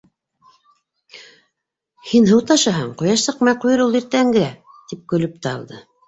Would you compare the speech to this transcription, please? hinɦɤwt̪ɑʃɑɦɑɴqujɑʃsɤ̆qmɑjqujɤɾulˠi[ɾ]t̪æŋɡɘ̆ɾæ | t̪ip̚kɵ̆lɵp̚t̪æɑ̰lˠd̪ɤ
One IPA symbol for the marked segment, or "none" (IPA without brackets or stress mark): ɾ